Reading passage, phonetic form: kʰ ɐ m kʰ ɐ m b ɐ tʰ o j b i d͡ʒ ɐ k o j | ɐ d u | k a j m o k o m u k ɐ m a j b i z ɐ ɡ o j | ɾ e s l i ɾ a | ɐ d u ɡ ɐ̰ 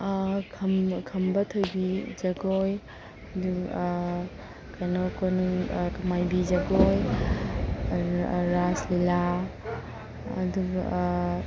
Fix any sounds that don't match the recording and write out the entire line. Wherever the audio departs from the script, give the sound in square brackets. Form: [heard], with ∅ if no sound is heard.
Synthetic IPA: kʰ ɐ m kʰ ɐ m b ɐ tʰ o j b i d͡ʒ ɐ [ɡ] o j | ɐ d u | k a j [n] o k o [n] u k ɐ m a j b i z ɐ ɡ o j | ɾ [a] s l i [l] a | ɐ d u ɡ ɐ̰